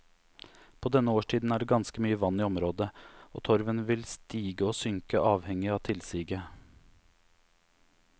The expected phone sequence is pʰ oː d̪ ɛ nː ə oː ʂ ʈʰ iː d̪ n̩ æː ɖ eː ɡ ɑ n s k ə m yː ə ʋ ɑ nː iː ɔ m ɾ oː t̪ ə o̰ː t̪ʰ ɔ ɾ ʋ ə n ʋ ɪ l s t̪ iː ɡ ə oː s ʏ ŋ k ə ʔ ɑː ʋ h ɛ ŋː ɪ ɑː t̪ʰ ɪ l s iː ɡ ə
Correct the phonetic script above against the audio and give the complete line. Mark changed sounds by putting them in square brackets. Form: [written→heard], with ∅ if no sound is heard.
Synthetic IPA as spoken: pʰ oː d̪ ɛ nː ə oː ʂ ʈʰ iː d̪ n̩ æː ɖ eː ɡ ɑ n s k ə m yː ə ʋ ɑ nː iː ɔ m ɾ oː [t̪→d̪] ə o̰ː t̪ʰ ɔ ɾ ʋ ə n ʋ ɪ l s t̪ iː ɡ ə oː s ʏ ŋ k ə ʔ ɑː ʋ h ɛ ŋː ɪ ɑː t̪ʰ ɪ l s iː ɡ ə

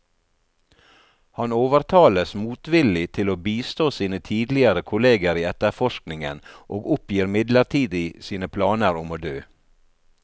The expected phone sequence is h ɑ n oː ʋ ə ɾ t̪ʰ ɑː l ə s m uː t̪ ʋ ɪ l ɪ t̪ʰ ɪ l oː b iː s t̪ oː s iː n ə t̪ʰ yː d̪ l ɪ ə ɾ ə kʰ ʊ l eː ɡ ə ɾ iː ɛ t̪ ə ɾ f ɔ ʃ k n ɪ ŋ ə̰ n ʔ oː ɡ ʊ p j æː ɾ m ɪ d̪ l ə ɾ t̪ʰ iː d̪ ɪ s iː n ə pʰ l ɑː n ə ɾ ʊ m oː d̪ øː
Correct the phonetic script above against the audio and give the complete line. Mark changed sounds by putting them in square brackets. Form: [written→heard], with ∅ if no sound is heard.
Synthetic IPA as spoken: h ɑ n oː ʋ ə ɾ t̪ʰ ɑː l ə s m uː t̪ ʋ ɪ l ɪ t̪ʰ ɪ l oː b iː s t̪ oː s iː n ə t̪ʰ [yː→iː] d̪ l ɪ ə ɾ ə kʰ ʊ l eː ɡ ə ɾ iː ɛ t̪ ə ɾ f ɔ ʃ k n ɪ ŋ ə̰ n ʔ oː ɡ ʊ p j [æː→iː] ɾ m ɪ d̪ l ə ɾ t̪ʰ iː d̪ ɪ s iː n ə pʰ l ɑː n ə ɾ ʊ m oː d̪ øː

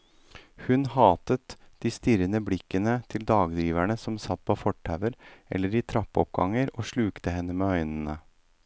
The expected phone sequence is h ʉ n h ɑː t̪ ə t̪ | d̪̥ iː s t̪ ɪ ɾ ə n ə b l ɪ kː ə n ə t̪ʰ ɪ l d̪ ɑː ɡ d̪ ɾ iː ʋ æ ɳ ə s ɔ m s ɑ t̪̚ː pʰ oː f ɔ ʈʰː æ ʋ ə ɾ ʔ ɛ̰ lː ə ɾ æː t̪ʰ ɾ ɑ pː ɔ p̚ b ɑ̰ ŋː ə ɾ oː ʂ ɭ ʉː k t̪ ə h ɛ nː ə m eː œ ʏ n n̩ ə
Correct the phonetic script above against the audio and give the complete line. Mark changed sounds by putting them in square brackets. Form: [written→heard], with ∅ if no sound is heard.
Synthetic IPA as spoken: h ʉ n h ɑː t̪ ə t̪ | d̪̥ iː s t̪ ɪ ɾ ə n ə b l ɪ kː ə n ə t̪ʰ ɪ l d̪ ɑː ɡ d̪ ɾ iː ʋ æ ɳ ə s ɔ m s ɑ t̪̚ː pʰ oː f ɔ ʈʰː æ ʋ ə ɾ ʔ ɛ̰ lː ə ɾ [æː→iː] t̪ʰ ɾ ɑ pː ɔ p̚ [b→ɡ] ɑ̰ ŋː ə ɾ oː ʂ ɭ ʉː k t̪ ə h ɛ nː ə m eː œ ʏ n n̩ ə

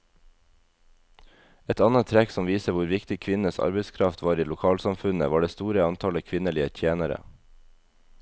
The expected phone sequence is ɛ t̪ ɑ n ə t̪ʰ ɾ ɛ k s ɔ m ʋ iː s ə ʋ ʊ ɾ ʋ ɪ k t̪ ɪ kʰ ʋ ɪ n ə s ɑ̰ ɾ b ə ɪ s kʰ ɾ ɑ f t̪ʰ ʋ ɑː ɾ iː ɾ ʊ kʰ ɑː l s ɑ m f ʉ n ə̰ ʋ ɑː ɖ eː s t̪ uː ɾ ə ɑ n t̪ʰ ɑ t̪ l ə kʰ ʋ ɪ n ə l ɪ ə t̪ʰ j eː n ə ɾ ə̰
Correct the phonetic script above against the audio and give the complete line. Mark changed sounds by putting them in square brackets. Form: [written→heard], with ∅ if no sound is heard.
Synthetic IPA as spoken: ɛ t̪ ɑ n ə t̪ʰ ɾ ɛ k s ɔ m ʋ iː s ə ʋ ʊ ɾ ʋ ɪ k t̪ ɪ kʰ ʋ ɪ n ə s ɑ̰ ɾ b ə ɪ s kʰ ɾ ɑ f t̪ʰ ʋ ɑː ɾ iː [ɾ→l] ʊ kʰ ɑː l s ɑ m f ʉ n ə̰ ʋ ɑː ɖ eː s t̪ uː ɾ ə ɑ n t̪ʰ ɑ [t̪→∅] l ə kʰ ʋ ɪ n ə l ɪ ə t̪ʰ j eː n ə ɾ ə̰

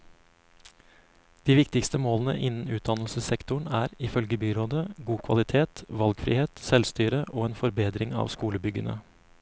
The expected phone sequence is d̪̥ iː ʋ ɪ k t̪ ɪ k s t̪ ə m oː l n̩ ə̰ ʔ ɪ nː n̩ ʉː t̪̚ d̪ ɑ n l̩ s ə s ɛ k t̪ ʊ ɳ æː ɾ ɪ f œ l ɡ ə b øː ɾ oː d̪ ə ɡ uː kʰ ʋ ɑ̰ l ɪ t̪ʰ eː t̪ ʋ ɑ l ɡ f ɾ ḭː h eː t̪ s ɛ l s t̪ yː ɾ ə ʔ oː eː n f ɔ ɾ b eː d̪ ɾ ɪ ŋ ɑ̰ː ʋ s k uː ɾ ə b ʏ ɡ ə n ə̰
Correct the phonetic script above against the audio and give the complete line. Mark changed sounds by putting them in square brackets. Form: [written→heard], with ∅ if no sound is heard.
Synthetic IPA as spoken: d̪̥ iː ʋ ɪ k t̪ ɪ k s t̪ ə m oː l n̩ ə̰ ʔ ɪ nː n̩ ʉː t̪̚ d̪ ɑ n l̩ s ə s ɛ k t̪ ʊ ɳ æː ɾ ɪ f œ l ɡ ə b [øː→yː] ɾ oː d̪ ə ɡ uː kʰ ʋ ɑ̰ l ɪ t̪ʰ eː t̪ ʋ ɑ l ɡ f ɾ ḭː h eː t̪ s ɛ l s t̪ yː ɾ ə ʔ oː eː n f ɔ ɾ b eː d̪ ɾ ɪ ŋ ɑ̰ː ʋ s k uː [ɾ→l] ə b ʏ ɡ ə n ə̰

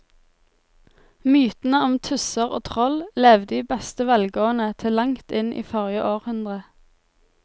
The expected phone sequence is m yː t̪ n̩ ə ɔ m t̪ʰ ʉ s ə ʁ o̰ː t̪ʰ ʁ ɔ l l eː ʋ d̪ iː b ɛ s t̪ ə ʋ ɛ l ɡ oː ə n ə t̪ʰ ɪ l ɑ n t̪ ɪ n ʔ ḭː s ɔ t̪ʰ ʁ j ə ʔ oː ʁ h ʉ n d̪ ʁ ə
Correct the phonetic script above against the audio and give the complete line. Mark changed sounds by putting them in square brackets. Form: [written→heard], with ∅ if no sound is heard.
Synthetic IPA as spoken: m yː t̪ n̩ ə ɔ m t̪ʰ ʉ s ə ʁ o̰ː t̪ʰ ʁ ɔ l l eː ʋ d̪ iː b ɛ s t̪ ə ʋ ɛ l ɡ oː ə n ə t̪ʰ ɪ l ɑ [n→ŋ] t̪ ɪ n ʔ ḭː [s→f] ɔ [t̪ʰ→∅] ʁ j ə ʔ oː ʁ h ʉ n d̪ ʁ ə

